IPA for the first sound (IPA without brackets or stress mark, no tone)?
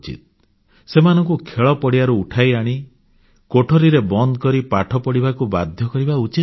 t͡ʃ